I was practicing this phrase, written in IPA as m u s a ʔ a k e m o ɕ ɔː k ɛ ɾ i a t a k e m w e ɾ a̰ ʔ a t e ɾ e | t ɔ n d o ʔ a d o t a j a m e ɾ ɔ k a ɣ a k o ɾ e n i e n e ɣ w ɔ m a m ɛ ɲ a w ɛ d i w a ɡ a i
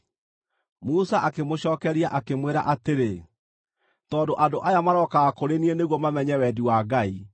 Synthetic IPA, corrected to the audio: m u s a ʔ a k e m o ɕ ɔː k ɛ ɾ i a ʔ a k e m w e ɾ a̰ ʔ a t e ɾ e | t ɔ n d o ʔ a d o ʔ a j a m a ɾ ɔ k a ɣ a k o ɾ e n i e n e ɣ w ɔ m a m ɛ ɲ ɛ w ɛ d i w a ɡ a i

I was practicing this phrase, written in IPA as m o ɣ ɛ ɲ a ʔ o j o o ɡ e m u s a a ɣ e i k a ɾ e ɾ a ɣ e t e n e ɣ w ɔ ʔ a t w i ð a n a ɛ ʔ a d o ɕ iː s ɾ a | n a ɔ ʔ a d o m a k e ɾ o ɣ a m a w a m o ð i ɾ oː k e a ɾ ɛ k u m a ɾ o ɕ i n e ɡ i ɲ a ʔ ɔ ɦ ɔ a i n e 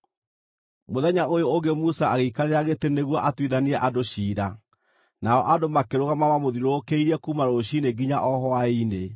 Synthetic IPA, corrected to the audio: m o ð ɛ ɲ a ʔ o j o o ɡ e m u s a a ɣ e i k a ɾ e ɾ a ɣ e t e n e ɣ w ɔ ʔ a t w i ð a n i ɛ ʔ a d o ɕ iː ɾ a | n a ɔ ʔ a d o m a k e ɾ o ɣ a m a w a m o ð i ɾ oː k e i ɾ ɛ k u m a ɾ o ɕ i n e ɡ i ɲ a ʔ ɔ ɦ ɔ a i n e

